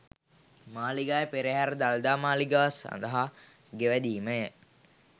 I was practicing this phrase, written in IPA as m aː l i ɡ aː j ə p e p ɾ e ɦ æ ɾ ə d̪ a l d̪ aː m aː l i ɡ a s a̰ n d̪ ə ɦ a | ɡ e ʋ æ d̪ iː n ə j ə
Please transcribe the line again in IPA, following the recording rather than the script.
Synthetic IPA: m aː l i ɡ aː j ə p e ɾ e ɦ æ ɾ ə d̪ a l d̪ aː m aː l i ɡ a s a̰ n d̪ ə ɦ a | ɡ e ʋ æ d̪ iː m ə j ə